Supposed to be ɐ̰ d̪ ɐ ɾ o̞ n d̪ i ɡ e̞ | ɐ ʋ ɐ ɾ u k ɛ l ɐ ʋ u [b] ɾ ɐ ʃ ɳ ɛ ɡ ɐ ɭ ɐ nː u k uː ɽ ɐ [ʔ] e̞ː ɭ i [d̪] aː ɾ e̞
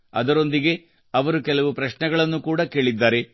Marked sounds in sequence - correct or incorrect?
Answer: incorrect: p, incorrect: k, incorrect: d̪ː

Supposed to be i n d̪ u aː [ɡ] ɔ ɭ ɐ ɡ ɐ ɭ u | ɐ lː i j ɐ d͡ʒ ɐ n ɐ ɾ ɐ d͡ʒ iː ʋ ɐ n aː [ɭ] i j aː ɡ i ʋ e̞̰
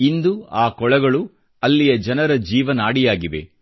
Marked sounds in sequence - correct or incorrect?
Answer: incorrect: k, incorrect: ɽ

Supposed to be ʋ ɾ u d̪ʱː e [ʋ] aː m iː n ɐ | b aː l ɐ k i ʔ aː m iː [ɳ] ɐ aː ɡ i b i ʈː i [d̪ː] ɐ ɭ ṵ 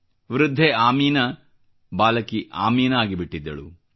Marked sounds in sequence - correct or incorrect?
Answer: incorrect: none, incorrect: n, correct

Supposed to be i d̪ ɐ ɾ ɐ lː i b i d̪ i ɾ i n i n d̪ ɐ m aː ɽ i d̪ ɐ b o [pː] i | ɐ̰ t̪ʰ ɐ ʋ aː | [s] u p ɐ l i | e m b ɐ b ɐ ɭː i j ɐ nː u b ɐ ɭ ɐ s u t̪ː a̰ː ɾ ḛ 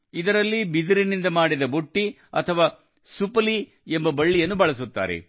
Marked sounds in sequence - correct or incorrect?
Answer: incorrect: ʈː, correct

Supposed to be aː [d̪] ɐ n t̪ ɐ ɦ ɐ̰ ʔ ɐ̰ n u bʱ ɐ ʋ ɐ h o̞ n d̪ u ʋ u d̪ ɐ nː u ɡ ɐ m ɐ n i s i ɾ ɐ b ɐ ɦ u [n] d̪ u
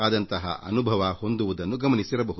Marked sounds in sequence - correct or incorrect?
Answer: correct, incorrect: none

